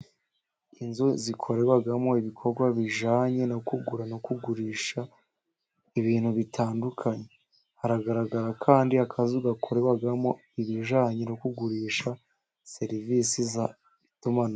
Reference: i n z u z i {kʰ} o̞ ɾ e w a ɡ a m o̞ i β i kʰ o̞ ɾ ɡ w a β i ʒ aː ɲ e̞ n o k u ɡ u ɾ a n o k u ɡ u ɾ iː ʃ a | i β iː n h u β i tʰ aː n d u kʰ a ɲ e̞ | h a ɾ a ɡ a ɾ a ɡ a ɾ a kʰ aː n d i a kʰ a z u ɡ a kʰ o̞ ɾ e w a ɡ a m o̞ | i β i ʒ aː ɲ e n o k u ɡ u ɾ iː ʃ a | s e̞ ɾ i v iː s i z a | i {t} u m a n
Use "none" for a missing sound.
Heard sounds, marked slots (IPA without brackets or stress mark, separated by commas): kʰ, t